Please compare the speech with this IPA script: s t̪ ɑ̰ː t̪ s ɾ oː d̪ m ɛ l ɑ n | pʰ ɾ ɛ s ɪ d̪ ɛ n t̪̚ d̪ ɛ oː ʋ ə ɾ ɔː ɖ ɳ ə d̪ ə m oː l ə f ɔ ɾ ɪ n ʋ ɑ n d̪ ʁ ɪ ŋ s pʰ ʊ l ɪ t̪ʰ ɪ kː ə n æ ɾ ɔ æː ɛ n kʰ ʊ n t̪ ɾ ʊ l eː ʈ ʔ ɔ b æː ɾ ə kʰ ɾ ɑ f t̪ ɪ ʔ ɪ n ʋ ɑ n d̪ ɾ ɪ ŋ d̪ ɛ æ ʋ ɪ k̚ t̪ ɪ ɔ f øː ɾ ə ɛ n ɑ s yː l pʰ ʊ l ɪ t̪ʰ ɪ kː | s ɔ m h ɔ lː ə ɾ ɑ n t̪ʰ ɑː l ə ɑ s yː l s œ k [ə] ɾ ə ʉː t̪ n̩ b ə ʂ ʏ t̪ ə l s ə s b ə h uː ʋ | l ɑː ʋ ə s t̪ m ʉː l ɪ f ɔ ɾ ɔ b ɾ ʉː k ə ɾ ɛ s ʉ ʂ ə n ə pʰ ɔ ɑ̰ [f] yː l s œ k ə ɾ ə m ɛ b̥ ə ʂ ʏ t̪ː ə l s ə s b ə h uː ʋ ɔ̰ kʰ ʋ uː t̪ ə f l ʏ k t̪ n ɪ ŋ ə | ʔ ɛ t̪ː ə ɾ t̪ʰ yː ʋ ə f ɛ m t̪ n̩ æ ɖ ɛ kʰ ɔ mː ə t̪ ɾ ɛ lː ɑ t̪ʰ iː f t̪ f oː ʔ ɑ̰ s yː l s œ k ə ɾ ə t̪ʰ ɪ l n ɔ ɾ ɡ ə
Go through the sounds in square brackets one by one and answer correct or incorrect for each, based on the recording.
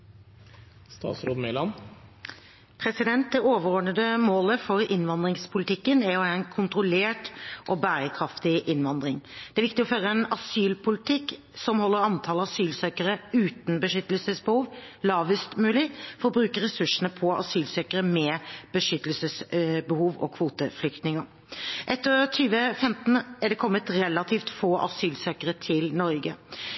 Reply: correct, incorrect: s

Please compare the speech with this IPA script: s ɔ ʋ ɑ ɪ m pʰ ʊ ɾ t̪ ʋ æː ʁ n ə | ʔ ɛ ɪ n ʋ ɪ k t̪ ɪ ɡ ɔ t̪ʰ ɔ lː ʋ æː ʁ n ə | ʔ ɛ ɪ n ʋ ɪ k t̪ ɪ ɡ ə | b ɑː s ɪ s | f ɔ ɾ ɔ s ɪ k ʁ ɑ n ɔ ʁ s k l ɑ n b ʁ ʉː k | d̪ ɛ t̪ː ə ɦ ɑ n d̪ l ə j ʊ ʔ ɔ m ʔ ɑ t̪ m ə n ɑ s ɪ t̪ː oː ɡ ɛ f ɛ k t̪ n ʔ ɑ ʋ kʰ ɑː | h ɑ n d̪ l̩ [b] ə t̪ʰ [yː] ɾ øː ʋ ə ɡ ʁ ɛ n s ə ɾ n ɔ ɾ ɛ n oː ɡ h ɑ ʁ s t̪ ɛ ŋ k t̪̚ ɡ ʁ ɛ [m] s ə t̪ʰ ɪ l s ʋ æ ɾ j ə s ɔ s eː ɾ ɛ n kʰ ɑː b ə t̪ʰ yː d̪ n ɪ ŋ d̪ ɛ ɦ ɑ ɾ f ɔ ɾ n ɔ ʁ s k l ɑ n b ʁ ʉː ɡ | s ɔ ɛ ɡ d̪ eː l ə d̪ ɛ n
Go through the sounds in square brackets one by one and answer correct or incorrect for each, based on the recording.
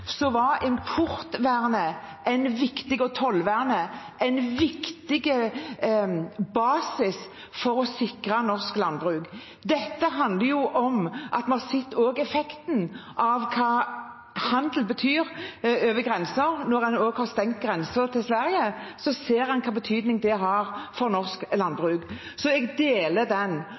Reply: correct, correct, incorrect: n

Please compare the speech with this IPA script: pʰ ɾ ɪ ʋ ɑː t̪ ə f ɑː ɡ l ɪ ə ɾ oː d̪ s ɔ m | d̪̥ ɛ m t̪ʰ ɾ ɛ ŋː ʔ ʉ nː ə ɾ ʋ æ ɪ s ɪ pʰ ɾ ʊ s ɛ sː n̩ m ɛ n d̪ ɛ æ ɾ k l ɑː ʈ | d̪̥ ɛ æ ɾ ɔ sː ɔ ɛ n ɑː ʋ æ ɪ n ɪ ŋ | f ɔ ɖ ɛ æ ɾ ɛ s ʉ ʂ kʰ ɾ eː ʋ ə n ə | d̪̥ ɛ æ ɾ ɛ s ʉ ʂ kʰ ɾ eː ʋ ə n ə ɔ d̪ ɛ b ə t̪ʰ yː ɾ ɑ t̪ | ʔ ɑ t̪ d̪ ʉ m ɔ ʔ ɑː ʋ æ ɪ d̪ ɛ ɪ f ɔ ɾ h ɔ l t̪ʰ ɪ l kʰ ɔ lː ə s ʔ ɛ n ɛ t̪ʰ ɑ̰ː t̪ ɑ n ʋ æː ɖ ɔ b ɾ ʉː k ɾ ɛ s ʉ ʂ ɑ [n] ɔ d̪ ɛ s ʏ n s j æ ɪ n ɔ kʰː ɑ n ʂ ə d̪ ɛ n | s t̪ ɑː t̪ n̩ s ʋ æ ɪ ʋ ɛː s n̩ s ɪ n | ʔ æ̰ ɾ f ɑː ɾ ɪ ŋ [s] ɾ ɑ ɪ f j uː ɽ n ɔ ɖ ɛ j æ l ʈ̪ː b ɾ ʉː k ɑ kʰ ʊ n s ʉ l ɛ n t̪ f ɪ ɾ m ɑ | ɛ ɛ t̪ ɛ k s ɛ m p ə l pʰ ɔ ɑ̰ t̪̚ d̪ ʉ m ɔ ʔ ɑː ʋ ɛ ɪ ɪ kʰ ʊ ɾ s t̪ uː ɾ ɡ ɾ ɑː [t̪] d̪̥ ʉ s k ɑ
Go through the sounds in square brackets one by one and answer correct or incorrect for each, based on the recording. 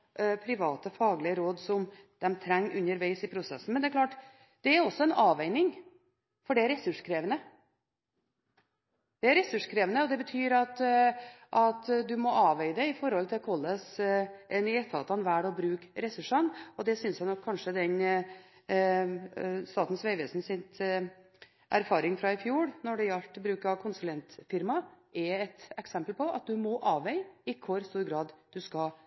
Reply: correct, incorrect: f, incorrect: d̪

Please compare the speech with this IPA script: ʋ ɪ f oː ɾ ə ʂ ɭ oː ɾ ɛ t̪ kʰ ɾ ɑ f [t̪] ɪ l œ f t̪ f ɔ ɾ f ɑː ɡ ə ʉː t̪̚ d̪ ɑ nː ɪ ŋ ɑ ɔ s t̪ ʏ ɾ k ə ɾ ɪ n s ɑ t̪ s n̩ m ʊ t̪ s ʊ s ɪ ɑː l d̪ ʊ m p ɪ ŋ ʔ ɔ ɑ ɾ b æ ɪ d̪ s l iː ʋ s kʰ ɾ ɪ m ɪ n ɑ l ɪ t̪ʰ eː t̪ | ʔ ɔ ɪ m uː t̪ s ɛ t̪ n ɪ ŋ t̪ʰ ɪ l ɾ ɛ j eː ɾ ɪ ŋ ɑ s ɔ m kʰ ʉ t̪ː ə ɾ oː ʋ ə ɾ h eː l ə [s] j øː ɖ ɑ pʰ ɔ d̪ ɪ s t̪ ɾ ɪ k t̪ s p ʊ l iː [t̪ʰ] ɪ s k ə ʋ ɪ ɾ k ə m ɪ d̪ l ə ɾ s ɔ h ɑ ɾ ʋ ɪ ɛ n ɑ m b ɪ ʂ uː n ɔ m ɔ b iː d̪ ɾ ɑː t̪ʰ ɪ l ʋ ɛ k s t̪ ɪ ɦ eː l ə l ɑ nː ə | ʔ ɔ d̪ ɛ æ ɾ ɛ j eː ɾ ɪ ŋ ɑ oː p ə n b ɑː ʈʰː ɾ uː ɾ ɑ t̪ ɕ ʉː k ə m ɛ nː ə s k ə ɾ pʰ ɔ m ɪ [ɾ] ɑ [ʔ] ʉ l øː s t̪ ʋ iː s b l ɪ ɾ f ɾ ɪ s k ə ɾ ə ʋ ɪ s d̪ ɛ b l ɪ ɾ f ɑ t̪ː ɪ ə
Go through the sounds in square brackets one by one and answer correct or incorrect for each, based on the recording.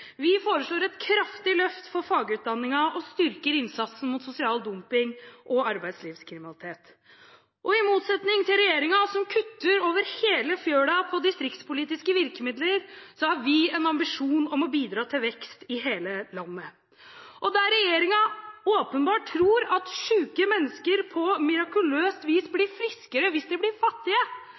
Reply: correct, incorrect: f, incorrect: t̪, correct, incorrect: k

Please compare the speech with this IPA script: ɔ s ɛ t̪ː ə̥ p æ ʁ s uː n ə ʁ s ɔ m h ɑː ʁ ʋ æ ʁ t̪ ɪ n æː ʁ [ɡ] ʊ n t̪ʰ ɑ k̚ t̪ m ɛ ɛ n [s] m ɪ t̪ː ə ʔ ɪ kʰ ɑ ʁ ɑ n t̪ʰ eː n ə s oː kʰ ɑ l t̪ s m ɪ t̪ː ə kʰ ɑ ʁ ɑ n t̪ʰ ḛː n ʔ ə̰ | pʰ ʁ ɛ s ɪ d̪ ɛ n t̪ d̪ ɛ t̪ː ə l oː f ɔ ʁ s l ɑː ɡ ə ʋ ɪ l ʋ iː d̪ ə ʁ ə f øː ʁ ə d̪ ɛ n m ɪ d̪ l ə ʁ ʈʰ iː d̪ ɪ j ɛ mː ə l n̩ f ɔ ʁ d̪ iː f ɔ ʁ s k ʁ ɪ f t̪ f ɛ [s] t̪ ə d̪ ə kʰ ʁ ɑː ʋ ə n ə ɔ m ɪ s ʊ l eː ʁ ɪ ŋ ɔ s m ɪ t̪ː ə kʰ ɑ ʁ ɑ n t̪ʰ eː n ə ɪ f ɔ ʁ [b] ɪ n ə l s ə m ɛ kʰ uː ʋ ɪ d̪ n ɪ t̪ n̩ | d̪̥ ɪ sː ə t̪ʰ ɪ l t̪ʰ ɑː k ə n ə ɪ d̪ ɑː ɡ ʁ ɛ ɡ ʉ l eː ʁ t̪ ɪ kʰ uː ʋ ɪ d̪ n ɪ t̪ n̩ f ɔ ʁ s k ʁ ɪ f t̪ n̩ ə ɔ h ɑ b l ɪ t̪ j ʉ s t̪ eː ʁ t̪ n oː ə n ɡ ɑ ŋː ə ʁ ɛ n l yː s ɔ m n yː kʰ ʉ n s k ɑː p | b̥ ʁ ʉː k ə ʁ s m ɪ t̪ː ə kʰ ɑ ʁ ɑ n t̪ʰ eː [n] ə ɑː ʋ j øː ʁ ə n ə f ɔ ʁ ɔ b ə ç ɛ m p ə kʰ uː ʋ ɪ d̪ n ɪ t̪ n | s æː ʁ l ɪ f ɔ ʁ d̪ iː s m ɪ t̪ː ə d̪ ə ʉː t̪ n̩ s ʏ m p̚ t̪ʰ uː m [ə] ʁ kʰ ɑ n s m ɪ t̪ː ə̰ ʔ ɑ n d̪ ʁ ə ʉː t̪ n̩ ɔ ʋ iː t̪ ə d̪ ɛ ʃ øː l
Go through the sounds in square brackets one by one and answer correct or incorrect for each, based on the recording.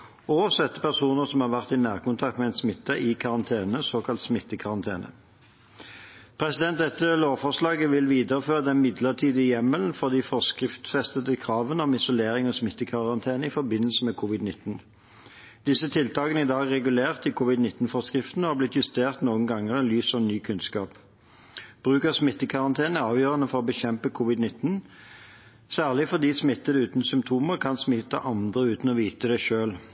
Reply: incorrect: k, correct, correct, correct, correct, correct

